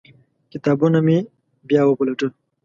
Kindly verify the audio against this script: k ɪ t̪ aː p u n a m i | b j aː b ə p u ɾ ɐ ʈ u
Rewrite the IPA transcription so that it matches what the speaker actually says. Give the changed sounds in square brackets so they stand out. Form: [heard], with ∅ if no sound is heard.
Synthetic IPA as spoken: k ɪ t̪ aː [b] u n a m i | b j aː [w] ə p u [l] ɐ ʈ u

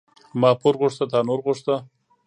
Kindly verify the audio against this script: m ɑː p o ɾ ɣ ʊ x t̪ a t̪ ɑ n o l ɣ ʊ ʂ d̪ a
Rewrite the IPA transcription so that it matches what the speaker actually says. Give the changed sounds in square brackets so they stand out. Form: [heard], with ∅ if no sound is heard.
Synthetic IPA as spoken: m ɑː p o ɾ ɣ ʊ [ʂ] t̪ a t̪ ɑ n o [ɾ] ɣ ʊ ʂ [t̪] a

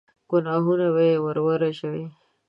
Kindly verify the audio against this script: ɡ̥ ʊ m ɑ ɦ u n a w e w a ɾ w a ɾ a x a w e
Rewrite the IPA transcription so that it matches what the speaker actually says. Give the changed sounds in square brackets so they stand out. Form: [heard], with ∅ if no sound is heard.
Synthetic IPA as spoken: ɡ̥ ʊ [n] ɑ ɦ u n a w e w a ɾ w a ɾ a [ʃ] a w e

